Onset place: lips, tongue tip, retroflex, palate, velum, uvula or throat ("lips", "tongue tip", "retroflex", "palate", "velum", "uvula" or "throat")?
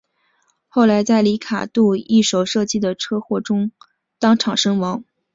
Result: velum